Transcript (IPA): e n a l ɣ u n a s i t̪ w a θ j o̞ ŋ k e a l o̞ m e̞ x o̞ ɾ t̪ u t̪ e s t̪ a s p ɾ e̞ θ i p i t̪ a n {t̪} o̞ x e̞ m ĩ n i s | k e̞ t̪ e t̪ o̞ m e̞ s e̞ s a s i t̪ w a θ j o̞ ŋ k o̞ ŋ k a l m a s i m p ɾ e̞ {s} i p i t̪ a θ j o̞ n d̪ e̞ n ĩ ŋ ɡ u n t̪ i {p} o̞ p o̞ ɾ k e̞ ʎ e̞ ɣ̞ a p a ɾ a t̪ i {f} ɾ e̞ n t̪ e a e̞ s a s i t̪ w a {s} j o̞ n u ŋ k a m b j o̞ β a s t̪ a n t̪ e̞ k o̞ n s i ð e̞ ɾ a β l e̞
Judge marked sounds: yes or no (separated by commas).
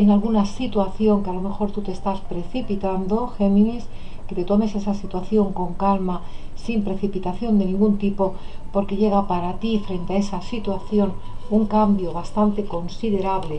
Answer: no, no, yes, yes, no